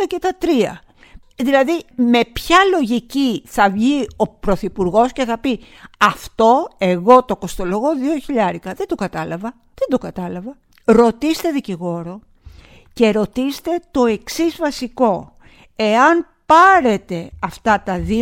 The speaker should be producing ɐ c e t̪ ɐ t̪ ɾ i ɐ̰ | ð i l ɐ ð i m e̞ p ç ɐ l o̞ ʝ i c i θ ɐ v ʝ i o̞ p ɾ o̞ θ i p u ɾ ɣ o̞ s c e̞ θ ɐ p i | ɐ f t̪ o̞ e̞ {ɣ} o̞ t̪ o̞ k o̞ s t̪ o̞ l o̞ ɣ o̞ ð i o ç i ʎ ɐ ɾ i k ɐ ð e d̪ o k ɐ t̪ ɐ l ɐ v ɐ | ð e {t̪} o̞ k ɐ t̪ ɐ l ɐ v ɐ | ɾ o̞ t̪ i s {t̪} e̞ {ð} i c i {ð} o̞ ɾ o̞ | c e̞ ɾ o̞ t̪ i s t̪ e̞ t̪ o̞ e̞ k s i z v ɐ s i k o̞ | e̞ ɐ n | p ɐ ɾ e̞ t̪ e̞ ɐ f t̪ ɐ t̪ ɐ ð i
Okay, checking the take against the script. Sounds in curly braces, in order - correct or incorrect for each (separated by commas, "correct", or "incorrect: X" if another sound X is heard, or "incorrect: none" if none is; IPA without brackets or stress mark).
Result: correct, incorrect: d̪, correct, correct, incorrect: ɣ